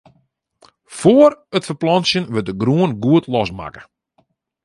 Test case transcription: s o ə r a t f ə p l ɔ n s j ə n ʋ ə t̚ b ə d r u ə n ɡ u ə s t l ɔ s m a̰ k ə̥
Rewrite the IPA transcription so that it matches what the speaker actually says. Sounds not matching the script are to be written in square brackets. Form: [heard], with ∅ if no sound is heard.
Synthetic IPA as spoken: [f] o ə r [ə] t f ə p l ɔ n s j ə n ʋ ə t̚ [d] ə [ɡ] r u ə n ɡ u ə [∅] t l ɔ s m a̰ k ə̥